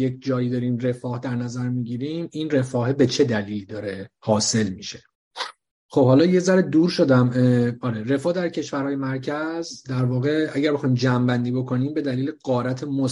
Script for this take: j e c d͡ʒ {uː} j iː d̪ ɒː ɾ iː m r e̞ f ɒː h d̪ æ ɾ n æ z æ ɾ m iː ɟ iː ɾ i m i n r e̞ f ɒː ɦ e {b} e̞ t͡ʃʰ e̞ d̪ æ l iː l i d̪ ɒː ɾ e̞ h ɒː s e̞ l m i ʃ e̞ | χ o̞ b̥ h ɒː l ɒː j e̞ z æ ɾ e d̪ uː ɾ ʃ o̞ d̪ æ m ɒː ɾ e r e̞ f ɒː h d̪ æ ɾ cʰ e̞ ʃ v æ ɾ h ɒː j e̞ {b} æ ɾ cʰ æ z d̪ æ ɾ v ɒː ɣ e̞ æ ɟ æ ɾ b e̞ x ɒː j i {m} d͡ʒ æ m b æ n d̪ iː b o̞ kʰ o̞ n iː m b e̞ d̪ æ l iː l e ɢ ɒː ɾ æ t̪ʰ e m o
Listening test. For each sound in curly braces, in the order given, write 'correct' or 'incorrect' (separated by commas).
incorrect, correct, incorrect, correct